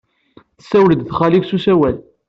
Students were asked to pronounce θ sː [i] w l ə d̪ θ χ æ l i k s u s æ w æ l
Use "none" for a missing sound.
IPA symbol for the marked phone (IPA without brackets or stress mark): æ